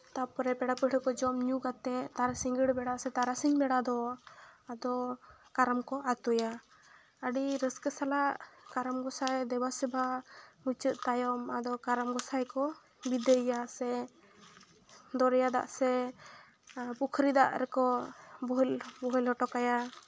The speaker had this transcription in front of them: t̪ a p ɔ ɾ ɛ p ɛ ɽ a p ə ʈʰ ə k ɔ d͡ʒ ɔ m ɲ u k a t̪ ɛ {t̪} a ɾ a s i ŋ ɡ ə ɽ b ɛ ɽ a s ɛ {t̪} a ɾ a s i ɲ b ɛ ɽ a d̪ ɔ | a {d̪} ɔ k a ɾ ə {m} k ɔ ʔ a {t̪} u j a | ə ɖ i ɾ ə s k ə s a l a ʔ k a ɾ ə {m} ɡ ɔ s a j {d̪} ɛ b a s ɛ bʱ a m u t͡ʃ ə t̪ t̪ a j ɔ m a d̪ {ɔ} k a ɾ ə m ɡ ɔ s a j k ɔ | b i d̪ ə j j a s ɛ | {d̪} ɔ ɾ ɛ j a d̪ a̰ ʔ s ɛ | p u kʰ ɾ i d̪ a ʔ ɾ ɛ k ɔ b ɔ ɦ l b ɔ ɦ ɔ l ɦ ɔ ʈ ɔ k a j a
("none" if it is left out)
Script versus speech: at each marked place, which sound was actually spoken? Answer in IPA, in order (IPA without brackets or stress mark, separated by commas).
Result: t̪, t̪, d̪, m, t̪, m, d̪, ɔ, d̪